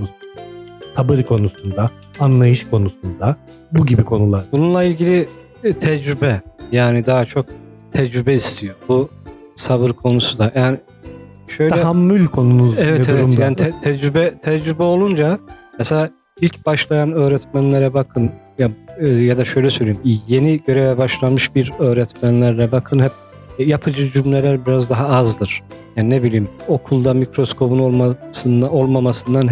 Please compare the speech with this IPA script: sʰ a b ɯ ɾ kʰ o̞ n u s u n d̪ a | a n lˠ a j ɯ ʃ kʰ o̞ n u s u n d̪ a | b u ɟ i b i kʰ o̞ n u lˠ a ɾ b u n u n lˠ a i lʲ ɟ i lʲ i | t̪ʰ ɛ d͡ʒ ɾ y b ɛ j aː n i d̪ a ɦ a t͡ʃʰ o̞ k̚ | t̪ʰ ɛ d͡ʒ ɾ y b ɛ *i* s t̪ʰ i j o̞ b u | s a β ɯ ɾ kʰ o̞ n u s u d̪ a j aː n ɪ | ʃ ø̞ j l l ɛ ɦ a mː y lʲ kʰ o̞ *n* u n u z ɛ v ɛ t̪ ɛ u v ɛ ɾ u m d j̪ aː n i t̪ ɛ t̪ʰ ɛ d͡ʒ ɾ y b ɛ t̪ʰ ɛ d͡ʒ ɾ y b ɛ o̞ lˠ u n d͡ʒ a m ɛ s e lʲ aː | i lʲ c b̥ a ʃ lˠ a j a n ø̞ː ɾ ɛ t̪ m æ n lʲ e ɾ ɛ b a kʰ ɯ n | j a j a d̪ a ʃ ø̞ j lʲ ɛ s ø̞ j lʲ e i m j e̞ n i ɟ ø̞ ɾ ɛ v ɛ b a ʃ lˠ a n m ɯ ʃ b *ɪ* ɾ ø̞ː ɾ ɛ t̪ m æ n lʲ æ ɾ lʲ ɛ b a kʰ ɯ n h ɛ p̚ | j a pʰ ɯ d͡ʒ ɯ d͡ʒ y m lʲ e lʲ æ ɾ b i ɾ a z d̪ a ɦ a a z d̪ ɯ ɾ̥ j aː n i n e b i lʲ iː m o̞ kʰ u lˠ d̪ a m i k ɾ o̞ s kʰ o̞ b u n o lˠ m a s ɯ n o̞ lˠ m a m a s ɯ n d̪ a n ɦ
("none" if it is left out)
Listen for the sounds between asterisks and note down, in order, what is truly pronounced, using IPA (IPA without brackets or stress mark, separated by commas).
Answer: i, n, i